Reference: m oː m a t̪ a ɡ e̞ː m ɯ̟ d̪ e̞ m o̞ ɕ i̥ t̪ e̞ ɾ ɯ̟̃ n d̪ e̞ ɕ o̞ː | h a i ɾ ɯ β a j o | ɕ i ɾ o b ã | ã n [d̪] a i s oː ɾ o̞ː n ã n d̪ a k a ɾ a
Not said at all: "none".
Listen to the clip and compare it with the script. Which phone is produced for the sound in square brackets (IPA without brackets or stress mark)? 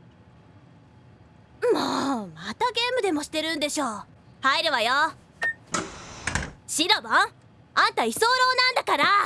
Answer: t̪